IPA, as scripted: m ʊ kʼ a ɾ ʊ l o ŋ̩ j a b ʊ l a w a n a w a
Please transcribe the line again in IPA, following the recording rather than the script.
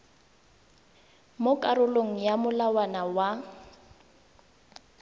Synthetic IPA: m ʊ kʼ a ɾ ʊ l o ŋ̩ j a m ʊ l a w a n a w a